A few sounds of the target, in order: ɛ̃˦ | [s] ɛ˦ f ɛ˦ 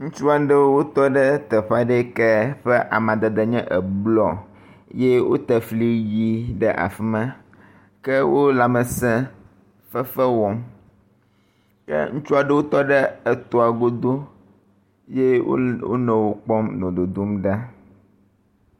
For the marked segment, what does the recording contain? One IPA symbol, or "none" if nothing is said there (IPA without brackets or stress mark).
f